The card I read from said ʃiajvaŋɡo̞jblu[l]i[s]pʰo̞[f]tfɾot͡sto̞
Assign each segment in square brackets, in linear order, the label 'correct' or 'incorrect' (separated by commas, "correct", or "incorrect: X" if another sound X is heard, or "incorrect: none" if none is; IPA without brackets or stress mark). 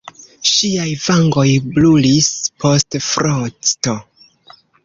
correct, correct, incorrect: s